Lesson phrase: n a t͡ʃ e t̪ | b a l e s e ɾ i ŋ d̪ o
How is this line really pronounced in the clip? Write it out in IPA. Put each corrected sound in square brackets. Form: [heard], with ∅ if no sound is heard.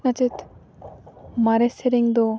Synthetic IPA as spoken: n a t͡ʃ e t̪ | [m] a [ɾ] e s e ɾ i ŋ d̪ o